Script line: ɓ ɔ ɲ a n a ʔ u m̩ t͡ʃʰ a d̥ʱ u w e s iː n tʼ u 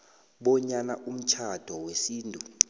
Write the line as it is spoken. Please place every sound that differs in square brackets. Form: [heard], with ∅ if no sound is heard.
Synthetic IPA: ɓ ɔ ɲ a n a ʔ u m̩ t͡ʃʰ a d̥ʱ [ɔ] w e s iː n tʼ u